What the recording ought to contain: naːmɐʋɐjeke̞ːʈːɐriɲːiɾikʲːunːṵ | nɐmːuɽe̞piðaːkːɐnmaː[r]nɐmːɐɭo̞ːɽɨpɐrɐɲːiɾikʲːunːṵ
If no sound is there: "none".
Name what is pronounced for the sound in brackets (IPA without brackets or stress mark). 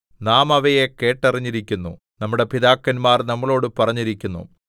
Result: r